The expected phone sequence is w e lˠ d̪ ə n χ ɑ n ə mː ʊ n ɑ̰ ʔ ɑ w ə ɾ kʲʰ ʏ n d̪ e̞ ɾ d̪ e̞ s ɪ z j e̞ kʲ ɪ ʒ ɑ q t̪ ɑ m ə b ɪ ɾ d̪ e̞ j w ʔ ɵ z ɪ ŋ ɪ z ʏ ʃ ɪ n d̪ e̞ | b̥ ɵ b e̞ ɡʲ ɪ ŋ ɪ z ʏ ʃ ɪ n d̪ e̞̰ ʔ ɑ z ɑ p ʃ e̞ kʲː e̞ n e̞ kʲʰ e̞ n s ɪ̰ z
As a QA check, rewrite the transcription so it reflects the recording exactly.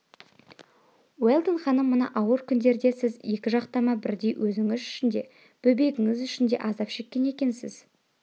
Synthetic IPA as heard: w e lˠ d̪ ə n χ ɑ n ə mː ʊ n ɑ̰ ʔ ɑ w ə ɾ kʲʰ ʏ n d̪ e̞ ɾ d̪ e̞ s ɪ z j e̞ kʲ ɪ ʒ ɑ q t̪ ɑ m ɑ b ɪ ɾ d̪ e̞ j w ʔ ɵ z ɪ ŋ ɪ z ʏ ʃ ɪ n d̪ e̞ | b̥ ɵ b e̞ ɡʲ ɪ ŋ ɪ z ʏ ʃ ɪ n d̪ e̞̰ ʔ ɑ z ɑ p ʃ e̞ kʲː e̞ n e̞ kʲ e̞ n s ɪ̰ z

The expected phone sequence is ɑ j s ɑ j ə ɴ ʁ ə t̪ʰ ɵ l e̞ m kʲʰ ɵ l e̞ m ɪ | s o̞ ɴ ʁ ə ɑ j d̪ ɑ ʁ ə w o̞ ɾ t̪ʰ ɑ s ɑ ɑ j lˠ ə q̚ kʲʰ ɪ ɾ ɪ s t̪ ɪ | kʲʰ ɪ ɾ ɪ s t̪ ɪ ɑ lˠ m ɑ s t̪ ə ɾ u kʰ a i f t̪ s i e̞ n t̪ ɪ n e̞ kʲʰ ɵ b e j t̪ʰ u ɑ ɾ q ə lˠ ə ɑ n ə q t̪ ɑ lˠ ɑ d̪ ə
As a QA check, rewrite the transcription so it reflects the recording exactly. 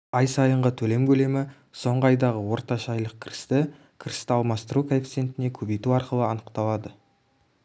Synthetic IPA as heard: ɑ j s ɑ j ə ɴ ʁ ə t̪ʰ ɵ l e̞ m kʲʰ ɵ l e̞ m ɪ | s o̞ ɴ ʁ ə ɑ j d̪ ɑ ʁ ə w o̞ ɾ t̪ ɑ ʃ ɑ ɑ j lˠ ə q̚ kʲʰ ɪ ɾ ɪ s t̪ ɪ | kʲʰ ɪ ɾ ɪ s t̪ ɪ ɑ lˠ m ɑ s t̪ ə ɾ u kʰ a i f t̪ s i e̞ n t̪ ɪ n e̞ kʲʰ ɵ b e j t̪ u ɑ ɾ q ə lˠ ə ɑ n ə q t̪ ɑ lˠ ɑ d̪ ə

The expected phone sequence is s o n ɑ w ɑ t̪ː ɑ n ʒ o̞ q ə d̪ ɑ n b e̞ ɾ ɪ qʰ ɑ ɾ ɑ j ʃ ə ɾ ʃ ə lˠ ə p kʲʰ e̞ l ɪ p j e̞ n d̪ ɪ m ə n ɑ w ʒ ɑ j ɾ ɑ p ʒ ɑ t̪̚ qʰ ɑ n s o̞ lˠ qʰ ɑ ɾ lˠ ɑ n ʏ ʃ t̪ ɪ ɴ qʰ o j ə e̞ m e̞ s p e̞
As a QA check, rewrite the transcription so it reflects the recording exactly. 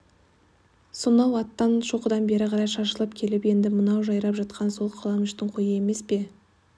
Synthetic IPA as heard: s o n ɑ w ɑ t̪ː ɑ n ʃ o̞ q ə d̪ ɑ n b e̞ ɾ ɪ qʰ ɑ ɾ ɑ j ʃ ɑ ɾ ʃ ə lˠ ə p kʲʰ e̞ l ɪ p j e̞ n d̪ ɪ m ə n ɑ w ʒ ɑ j ɾ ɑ p ʒ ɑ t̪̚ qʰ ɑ n s o̞ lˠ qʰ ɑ lˠ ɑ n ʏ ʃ t̪ ɪ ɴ qʰ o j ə e̞ m e̞ s p e̞

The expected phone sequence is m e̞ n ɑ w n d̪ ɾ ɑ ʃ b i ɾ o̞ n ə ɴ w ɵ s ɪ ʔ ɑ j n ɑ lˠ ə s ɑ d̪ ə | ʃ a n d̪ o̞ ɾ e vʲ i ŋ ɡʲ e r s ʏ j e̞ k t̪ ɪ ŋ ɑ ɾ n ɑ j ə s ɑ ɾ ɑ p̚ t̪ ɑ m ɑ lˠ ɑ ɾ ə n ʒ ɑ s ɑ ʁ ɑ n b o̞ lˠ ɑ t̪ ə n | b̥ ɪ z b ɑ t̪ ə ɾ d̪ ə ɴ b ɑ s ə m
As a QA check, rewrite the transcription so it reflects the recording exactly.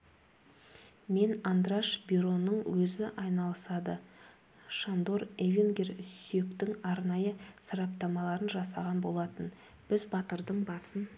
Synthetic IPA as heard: m e̞ n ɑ n d̪ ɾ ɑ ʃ b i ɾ o̞ n ə ɴ w ɵ z ɪ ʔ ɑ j n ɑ lˠ ə s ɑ d̪ ə | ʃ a n d̪ o̞ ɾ e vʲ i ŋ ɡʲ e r s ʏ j e̞ k t̪ ɪ ŋ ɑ ɾ n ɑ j ə s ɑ ɾ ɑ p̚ t̪ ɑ m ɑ lˠ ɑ ɾ ə n ʒ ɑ s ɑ ʁ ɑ n b o̞ lˠ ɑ t̪ ə n | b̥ ɪ z b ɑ t̪ ə ɾ d̪ ə ɴ b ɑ s ə n

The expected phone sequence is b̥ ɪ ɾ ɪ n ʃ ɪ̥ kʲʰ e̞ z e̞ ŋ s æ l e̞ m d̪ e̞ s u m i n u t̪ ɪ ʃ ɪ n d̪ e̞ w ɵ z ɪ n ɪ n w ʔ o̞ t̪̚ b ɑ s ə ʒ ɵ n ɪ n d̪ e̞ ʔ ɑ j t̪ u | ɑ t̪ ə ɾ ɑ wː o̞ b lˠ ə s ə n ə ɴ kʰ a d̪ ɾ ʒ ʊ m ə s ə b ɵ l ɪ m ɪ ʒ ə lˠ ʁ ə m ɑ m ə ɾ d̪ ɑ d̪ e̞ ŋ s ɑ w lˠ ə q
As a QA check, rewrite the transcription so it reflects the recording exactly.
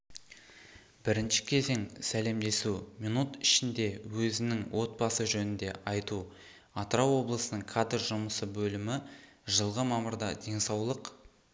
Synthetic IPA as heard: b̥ ɪ ɾ ɪ n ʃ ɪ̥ kʲʰ e̞ z e̞ ŋ s æ l e̞ m d̪ e̞ s u m i n u t̪ ɪ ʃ ɪ n d̪ e̞ w ɵ z ɪ n ɪ ŋ w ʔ o̞ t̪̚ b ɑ s ə ʒ ɵ n ɪ n d̪ e̞ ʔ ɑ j t̪ u | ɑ t̪ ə ɾ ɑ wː o̞ b lˠ ə s ə n ə ɴ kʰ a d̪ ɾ ʒ ʊ m ə s ə b ɵ l ɪ m ɪ ʒ ə lˠ ʁ ə m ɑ m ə ɾ d̪ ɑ d̪ e̞ ŋ s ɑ w lˠ ə q

